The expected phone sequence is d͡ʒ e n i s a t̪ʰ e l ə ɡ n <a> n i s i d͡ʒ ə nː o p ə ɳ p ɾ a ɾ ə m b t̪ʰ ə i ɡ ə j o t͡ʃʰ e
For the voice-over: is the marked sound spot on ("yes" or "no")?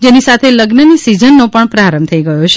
no